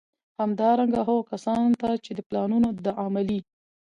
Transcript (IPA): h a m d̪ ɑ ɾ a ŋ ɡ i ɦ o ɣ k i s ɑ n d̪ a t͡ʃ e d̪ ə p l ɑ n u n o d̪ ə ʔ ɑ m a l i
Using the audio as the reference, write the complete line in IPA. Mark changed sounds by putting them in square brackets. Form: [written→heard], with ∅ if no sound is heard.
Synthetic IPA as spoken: h a m d̪ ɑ ɾ a ŋ ɡ [i→a] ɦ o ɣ k [i→a] s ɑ n [d̪→t̪] a t͡ʃ e d̪ ə p l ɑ n u n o d̪ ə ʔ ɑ m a l i